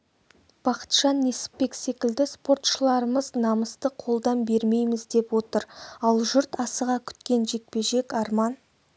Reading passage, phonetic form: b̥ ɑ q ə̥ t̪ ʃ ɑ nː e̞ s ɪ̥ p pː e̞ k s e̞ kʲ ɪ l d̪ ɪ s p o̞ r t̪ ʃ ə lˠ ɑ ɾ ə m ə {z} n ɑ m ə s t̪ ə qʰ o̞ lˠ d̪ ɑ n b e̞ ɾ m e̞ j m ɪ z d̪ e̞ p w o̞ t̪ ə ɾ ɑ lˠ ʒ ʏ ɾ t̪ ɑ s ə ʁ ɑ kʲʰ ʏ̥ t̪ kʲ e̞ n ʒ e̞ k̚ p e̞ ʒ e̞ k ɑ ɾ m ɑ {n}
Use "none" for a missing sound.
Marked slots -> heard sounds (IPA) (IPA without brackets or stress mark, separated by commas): z, n